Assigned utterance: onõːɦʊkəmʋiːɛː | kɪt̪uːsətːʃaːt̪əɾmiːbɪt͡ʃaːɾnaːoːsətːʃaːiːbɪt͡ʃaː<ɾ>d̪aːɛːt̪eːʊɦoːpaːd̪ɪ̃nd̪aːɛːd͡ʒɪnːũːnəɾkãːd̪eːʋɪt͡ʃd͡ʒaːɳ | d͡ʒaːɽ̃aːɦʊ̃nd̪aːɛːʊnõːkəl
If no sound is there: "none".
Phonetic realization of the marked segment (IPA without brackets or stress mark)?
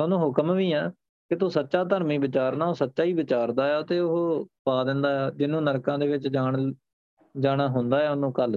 ɾ